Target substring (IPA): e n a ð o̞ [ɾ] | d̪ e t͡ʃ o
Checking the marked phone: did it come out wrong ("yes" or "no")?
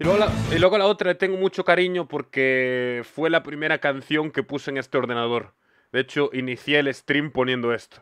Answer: no